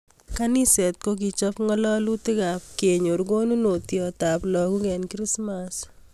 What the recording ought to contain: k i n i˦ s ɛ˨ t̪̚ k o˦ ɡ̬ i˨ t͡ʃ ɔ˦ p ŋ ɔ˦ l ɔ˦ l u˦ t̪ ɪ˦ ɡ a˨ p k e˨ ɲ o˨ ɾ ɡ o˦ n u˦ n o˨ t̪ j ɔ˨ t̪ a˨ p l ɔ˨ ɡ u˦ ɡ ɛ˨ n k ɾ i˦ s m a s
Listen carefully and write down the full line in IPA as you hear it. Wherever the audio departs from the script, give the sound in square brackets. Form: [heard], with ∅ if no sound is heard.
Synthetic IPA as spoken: k [a] n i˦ s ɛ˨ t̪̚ k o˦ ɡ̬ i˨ t͡ʃ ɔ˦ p ŋ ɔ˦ l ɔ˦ l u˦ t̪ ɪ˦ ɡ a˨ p k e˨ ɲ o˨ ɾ ɡ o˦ n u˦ n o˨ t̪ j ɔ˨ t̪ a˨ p l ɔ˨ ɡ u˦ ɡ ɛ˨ n k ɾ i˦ s m a s